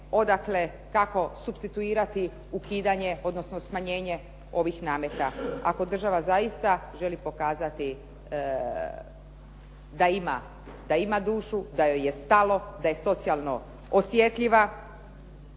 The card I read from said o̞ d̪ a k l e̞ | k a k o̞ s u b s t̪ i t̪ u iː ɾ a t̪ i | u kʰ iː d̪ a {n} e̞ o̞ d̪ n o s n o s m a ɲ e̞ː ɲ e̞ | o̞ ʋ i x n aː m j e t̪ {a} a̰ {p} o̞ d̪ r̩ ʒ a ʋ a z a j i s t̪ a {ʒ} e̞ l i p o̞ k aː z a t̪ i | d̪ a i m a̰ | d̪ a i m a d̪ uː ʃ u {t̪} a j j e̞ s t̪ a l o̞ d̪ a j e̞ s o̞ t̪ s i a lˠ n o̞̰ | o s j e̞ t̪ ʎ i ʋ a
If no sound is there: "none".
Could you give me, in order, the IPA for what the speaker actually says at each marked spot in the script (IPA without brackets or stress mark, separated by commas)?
ɲ, a, k, ʒ, d̪